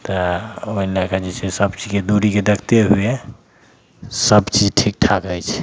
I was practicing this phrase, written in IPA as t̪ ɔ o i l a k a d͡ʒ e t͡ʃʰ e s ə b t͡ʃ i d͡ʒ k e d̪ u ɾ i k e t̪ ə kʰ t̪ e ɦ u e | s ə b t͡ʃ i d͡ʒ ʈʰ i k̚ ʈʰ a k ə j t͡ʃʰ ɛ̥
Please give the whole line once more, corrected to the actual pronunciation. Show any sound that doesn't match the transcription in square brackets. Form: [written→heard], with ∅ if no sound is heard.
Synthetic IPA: t̪ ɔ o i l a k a d͡ʒ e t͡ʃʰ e s ə b t͡ʃ i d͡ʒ k e d̪ u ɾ i k e [t̪→d̪] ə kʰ t̪ e ɦ u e | s ə b t͡ʃ i d͡ʒ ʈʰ i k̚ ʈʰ a k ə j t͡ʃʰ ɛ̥